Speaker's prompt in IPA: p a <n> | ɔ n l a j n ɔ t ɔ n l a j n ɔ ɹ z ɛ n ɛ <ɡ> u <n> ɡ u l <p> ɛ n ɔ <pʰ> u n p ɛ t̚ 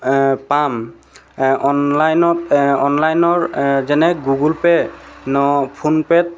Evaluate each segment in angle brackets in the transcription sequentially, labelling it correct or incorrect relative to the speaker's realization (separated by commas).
incorrect, correct, incorrect, correct, correct